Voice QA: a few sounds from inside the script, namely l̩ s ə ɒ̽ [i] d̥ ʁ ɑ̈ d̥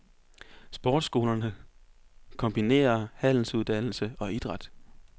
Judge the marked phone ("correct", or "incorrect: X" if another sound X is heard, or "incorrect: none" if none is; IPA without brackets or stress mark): correct